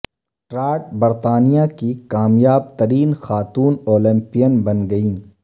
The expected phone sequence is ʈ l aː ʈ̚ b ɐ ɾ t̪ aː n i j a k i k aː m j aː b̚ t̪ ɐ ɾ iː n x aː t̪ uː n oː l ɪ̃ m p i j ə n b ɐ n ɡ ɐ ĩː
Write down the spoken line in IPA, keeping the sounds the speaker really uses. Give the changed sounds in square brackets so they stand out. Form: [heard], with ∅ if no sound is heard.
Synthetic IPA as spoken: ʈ [ɾ] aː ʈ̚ b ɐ ɾ t̪ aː n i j a k i k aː m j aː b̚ t̪ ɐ ɾ iː n x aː t̪ uː n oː l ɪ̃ m p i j ə n b ɐ n ɡ ɐ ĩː